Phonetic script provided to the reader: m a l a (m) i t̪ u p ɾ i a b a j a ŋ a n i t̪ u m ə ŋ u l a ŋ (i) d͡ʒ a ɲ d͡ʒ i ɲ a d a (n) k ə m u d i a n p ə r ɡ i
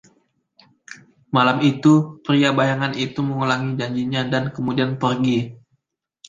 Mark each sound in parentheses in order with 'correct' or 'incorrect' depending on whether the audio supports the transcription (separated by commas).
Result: correct, correct, correct